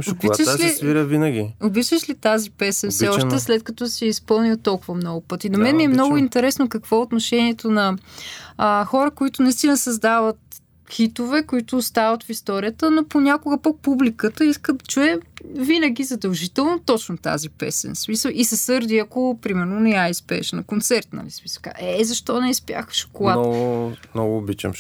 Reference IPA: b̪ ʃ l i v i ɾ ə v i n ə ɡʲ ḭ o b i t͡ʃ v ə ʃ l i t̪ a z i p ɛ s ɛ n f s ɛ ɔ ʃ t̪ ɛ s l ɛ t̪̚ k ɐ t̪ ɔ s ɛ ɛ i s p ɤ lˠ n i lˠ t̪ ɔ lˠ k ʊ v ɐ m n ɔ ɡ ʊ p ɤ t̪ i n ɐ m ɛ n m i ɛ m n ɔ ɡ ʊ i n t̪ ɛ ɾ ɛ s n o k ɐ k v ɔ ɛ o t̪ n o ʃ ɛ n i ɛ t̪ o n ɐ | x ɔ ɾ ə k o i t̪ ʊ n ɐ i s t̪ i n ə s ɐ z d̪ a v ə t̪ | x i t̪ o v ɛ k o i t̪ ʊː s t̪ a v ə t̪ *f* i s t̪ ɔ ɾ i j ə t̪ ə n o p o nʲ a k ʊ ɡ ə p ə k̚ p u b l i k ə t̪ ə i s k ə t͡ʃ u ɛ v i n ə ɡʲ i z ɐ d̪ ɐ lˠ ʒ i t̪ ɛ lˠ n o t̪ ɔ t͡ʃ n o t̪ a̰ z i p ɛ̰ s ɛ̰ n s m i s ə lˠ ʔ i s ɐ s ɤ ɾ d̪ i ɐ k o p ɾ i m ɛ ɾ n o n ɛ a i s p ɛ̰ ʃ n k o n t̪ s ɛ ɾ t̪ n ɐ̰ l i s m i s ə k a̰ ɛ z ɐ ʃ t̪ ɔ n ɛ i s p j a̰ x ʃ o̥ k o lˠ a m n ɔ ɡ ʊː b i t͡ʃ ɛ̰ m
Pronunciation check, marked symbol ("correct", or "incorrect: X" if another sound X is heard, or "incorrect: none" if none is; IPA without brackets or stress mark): correct